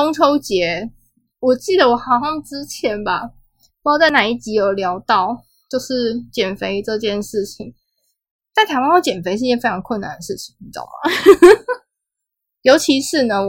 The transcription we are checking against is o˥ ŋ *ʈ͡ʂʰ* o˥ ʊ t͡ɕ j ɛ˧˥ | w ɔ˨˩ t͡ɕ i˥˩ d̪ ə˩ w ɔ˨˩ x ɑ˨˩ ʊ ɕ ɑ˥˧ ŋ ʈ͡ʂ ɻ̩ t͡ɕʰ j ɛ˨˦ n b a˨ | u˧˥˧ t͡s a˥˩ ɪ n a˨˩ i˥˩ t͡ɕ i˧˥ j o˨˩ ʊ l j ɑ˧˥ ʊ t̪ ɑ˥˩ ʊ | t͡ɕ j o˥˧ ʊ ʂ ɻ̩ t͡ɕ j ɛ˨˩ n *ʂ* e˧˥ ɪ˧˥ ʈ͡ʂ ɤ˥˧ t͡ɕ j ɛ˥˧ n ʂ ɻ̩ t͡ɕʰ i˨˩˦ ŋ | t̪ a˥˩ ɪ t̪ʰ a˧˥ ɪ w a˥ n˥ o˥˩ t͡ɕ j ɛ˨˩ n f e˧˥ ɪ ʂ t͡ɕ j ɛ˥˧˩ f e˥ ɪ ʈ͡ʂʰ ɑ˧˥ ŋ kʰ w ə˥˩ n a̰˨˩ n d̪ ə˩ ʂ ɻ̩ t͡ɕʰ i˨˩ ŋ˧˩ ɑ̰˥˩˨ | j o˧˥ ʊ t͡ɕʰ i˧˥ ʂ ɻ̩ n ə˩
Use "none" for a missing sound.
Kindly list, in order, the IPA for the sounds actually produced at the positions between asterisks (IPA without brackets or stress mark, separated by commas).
ʈ͡ʂʰ, f